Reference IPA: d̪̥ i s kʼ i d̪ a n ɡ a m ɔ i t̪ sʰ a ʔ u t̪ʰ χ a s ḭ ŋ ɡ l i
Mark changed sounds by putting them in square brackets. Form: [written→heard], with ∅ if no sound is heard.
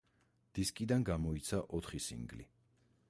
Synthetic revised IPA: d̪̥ i s kʼ i d̪ a n ɡ a m ɔ i t̪ sʰ a ʔ [u→ɔ] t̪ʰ χ [a→i] s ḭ ŋ ɡ l i